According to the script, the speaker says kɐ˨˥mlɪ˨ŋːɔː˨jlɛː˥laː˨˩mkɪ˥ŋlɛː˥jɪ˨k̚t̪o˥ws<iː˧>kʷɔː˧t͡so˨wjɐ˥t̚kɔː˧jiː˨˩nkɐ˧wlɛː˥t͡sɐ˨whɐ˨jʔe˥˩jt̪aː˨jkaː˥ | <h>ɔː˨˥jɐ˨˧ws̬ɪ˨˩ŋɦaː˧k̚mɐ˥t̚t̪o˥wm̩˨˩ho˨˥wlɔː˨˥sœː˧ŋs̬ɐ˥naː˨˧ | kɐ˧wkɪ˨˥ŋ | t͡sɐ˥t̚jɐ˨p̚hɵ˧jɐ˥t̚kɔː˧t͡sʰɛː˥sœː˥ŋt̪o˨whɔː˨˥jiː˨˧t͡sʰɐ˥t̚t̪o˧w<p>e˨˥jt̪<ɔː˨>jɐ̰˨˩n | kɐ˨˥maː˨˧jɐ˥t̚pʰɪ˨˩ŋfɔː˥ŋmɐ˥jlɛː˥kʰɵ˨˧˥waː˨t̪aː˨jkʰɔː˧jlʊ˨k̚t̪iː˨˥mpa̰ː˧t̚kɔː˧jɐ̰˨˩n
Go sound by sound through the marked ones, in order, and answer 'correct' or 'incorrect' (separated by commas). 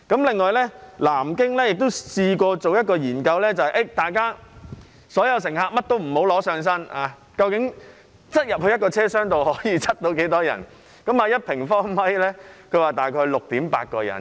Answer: correct, incorrect, incorrect, incorrect